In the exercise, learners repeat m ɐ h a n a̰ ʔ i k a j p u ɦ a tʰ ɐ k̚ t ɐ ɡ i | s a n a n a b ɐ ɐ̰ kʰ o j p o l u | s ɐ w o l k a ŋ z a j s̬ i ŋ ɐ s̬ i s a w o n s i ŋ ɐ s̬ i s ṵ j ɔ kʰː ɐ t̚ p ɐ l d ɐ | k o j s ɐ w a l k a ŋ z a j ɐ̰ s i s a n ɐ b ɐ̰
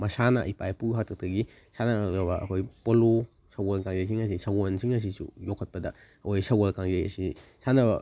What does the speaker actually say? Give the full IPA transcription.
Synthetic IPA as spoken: m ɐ s a n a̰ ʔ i p a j p u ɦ a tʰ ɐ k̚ t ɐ ɡ i | s a n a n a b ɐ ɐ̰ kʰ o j p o l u | s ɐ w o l k a ŋ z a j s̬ i ŋ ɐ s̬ i s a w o n s i ŋ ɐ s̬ i s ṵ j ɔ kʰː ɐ t̚ p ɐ d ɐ | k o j s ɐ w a l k a ŋ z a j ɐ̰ s i s a n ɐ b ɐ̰